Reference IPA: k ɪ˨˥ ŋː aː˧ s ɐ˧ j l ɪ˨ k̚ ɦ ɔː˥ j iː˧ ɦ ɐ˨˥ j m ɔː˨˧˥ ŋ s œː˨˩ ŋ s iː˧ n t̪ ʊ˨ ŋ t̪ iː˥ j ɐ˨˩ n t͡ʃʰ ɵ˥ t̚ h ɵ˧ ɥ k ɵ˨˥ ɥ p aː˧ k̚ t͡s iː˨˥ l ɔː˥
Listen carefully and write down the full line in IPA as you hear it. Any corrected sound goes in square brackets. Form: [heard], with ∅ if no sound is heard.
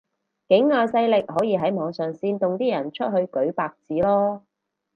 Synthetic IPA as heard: k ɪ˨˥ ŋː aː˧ s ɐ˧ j l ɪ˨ k̚ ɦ [ɔː˨˥] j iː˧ ɦ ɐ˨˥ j m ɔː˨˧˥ ŋ s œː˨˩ ŋ s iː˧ n t̪ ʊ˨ ŋ t̪ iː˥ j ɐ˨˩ n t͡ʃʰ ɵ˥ t̚ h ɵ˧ ɥ k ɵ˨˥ ɥ p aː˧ k̚ t͡s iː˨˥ l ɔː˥